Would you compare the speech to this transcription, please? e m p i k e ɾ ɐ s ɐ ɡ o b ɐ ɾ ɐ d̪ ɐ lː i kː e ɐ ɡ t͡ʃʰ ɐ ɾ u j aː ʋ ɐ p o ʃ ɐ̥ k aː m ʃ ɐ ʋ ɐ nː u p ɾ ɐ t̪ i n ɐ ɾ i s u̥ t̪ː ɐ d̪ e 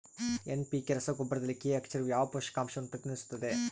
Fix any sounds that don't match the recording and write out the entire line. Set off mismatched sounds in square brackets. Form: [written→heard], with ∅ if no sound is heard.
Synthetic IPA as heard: e [m→n] p i k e ɾ ɐ s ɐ ɡ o b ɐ ɾ ɐ d̪ ɐ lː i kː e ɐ [ɡ→k] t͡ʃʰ ɐ ɾ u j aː ʋ ɐ p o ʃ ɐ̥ k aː m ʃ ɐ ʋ ɐ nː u p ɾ ɐ t̪ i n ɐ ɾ i s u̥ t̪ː ɐ d̪ e